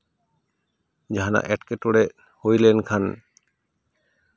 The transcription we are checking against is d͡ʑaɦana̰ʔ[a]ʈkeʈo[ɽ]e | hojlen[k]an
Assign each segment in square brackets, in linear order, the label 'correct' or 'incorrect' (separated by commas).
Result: incorrect, correct, incorrect